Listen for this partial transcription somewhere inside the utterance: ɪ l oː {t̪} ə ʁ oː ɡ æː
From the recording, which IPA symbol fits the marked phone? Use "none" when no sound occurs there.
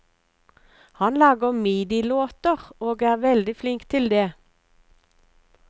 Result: t̪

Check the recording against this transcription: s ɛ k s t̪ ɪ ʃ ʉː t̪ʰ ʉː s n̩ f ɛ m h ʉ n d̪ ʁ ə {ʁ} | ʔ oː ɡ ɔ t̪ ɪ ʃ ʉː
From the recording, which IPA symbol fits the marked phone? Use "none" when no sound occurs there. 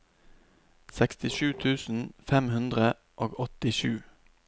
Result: none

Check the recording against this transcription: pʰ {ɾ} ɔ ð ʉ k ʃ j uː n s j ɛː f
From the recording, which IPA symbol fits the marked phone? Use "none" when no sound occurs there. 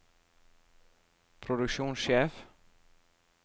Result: ɾ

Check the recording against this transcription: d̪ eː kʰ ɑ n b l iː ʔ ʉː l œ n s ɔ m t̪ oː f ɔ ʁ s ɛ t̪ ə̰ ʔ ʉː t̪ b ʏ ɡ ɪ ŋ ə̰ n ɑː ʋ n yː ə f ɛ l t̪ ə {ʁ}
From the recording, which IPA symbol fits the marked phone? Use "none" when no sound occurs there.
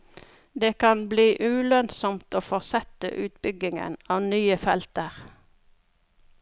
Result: ʁ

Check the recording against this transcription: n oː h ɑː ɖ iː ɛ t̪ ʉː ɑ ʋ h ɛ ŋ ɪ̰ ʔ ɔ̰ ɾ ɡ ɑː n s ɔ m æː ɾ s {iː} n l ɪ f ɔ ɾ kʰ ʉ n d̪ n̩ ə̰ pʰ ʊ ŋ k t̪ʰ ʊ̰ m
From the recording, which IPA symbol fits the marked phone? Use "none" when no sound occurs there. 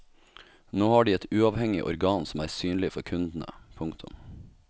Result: yː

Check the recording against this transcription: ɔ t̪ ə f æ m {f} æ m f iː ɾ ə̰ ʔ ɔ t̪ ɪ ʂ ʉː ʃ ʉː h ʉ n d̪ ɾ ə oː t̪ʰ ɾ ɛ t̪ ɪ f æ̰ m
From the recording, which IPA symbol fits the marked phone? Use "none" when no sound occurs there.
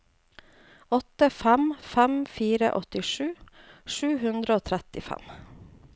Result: f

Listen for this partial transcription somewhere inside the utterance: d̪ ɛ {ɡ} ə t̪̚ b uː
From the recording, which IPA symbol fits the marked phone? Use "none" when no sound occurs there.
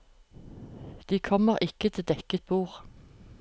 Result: k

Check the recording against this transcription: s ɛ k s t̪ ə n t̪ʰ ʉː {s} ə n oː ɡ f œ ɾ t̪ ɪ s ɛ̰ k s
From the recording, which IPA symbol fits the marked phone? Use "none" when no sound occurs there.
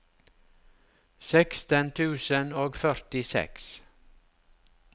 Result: s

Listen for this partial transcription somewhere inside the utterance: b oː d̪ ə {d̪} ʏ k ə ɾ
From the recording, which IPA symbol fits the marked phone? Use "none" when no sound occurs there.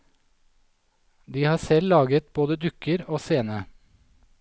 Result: d̪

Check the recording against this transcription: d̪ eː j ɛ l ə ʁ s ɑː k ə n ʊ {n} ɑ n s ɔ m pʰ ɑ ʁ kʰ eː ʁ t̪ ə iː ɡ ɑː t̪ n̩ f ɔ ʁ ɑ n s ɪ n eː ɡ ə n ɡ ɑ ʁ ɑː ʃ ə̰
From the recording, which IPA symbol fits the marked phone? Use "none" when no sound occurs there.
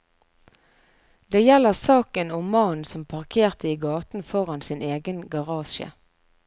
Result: m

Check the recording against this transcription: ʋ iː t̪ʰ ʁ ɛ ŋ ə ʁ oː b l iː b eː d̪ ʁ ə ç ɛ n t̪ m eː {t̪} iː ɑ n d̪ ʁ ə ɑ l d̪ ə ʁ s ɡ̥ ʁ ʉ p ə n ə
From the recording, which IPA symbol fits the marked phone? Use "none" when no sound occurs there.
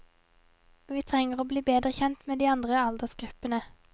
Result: d̪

